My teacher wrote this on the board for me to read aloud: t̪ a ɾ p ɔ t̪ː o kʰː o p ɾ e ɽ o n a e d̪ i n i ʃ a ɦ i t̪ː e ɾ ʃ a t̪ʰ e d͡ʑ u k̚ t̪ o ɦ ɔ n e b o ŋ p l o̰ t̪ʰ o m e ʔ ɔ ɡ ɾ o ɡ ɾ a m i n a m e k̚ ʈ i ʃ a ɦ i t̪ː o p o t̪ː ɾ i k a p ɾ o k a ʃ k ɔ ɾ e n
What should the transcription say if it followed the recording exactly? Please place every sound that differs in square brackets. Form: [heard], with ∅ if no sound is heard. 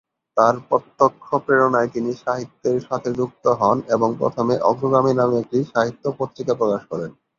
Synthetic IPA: t̪ a ɾ p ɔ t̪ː o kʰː o p ɾ e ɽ o n a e [t̪] i n i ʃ a ɦ i t̪ː e ɾ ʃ a t̪ʰ e d͡ʑ u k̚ t̪ o ɦ ɔ n e b o ŋ p [ɾ] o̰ t̪ʰ o m e ʔ ɔ ɡ ɾ o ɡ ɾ a m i n a m e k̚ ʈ i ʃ a ɦ i t̪ː o p o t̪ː ɾ i k a p ɾ o k a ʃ k ɔ ɾ e n